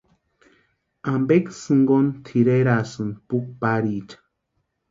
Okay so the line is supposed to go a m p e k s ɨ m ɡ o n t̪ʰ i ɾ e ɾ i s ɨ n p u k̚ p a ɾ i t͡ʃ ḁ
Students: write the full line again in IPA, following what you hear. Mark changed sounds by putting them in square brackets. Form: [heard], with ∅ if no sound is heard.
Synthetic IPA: a m [b] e k s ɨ [ŋ] ɡ o n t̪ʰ i ɾ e ɾ [a] s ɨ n p u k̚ p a ɾ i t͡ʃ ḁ